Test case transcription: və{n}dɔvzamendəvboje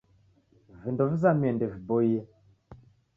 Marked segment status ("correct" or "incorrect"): correct